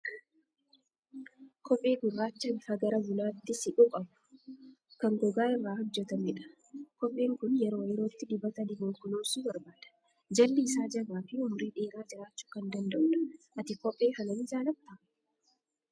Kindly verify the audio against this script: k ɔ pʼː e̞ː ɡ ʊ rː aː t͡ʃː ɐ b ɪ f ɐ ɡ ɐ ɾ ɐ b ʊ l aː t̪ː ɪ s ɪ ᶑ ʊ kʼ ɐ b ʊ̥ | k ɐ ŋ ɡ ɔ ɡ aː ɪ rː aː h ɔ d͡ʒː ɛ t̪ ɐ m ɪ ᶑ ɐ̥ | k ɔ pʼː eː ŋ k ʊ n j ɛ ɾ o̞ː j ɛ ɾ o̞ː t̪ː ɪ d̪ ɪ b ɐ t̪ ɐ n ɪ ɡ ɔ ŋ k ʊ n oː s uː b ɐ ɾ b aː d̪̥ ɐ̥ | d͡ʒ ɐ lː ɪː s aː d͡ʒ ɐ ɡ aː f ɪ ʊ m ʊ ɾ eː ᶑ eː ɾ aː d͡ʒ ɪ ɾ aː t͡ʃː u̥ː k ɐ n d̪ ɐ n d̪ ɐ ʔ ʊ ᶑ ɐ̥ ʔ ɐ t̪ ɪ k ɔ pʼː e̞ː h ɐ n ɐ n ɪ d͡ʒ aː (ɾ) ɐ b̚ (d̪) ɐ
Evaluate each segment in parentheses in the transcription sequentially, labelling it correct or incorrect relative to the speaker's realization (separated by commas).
incorrect, incorrect